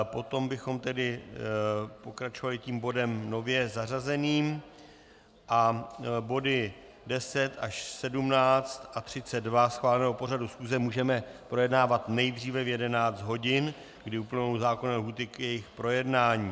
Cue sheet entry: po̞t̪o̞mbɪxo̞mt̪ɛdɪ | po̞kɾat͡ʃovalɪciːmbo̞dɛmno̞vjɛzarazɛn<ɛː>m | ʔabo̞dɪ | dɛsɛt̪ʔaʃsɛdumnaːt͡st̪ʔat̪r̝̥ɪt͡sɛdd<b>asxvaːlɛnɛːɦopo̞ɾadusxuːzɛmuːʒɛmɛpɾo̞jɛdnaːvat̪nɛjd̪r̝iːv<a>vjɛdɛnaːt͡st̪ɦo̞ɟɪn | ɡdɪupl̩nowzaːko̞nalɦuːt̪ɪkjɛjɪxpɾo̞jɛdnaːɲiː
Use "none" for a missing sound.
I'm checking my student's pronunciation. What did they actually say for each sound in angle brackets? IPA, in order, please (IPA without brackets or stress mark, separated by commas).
iː, v, ɛ